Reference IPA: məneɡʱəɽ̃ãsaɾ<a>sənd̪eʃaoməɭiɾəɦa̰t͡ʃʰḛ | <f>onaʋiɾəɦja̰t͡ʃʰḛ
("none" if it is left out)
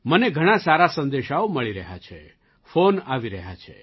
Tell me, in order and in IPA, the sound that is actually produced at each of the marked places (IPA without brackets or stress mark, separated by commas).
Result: a, f